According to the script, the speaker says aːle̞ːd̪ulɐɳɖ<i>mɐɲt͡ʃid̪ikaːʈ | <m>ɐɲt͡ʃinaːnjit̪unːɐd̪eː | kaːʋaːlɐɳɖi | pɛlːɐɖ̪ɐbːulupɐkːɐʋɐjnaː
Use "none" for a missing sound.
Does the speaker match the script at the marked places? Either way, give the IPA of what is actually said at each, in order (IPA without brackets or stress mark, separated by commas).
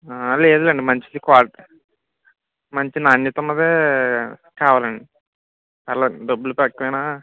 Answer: i, m